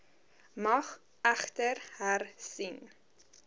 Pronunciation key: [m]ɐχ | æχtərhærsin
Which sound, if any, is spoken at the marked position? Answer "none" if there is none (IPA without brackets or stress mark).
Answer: m